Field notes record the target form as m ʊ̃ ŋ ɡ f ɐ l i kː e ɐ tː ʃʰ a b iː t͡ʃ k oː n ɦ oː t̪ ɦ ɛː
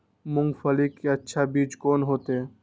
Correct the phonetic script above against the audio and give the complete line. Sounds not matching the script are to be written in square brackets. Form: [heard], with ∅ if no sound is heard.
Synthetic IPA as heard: m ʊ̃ ŋ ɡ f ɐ l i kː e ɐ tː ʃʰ a b iː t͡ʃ k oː n ɦ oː t̪ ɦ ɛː